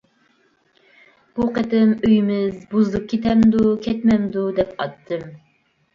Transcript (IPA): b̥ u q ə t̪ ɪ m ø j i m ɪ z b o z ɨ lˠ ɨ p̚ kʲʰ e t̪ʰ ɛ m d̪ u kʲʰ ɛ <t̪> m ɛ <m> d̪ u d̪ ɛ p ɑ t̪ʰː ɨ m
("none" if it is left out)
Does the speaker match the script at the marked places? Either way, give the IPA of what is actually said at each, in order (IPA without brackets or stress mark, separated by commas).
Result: t̪, m